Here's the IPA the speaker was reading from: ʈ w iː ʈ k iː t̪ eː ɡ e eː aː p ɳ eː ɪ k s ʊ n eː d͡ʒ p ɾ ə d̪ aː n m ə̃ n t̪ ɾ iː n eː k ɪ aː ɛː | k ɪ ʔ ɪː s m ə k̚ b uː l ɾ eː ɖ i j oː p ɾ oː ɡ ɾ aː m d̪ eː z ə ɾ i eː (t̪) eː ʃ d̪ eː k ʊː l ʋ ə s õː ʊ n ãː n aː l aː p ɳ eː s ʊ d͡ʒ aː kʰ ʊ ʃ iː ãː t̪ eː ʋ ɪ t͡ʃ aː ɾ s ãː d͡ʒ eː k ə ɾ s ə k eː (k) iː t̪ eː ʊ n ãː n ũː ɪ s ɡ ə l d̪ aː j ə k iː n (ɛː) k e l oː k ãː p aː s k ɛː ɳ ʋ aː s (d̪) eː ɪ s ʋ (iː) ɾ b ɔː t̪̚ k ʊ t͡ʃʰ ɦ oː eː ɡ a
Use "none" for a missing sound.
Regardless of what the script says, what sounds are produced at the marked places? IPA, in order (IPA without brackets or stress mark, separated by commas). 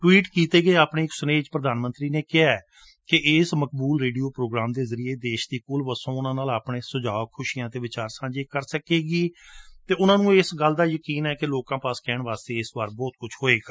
d̪, ɡ, ɛː, t̪, aː